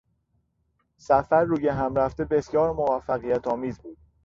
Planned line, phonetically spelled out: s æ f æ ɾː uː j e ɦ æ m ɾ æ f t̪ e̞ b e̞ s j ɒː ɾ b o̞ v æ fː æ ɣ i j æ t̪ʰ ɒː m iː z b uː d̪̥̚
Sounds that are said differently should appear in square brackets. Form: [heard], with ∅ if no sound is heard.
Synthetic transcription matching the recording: s æ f æ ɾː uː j e ɦ æ m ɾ æ f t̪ e̞ b e̞ s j ɒː ɾ [m] o̞ v æ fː æ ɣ i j æ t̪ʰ ɒː m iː z b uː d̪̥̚